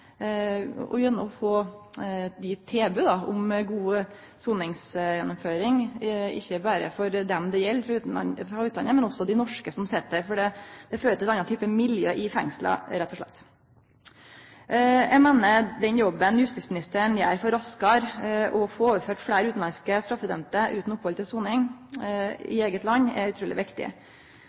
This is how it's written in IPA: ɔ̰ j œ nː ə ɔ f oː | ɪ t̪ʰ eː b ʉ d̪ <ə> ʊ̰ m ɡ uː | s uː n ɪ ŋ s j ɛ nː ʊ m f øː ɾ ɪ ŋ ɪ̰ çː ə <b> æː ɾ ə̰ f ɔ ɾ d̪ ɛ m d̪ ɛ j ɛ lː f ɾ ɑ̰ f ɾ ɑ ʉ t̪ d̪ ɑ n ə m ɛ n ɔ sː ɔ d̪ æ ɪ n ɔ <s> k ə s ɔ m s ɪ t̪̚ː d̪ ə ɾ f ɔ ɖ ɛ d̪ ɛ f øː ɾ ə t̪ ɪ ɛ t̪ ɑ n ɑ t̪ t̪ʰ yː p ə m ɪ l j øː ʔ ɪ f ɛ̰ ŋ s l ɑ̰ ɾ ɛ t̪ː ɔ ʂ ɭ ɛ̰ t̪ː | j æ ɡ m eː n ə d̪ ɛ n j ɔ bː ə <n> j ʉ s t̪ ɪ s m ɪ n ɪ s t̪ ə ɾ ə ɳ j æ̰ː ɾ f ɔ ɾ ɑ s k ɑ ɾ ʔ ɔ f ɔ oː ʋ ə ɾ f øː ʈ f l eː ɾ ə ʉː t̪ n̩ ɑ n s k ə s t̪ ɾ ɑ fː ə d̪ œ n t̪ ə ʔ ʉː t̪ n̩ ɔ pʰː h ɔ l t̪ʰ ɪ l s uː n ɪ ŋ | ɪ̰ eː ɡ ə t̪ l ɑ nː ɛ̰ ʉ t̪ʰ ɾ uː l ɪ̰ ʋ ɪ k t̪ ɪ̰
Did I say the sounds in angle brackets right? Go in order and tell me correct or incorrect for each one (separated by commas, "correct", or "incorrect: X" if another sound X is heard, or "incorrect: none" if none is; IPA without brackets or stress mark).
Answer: incorrect: ɑ, correct, incorrect: ʂ, correct